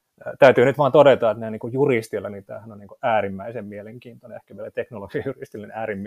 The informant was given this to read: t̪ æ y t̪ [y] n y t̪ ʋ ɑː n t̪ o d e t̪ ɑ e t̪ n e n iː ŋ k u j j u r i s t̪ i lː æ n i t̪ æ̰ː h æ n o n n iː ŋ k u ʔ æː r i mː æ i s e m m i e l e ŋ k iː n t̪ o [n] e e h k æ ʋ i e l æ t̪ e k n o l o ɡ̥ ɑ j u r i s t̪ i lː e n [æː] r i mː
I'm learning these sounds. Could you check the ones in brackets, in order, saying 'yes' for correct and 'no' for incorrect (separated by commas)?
no, yes, yes